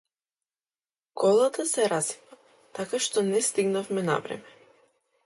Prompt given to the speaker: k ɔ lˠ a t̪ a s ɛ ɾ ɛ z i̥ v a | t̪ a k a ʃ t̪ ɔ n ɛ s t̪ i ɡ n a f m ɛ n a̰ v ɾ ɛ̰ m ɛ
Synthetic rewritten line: k ɔ lˠ a t̪ a s ɛ ɾ a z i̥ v a | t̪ a k a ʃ t̪ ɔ n ɛ s t̪ i ɡ n a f m ɛ n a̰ v ɾ ɛ̰ m ɛ